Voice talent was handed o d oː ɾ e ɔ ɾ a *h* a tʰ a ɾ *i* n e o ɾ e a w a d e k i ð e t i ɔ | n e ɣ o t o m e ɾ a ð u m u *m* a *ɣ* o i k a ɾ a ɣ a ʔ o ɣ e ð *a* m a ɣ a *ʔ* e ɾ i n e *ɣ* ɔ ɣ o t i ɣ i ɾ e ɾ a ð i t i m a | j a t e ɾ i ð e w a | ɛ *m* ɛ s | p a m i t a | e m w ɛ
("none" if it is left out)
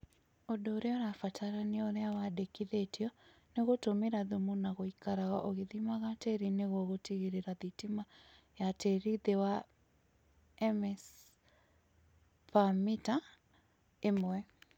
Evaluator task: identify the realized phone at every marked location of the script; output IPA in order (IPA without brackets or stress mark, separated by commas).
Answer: f, a, n, ɣ, i, t, ɣ, m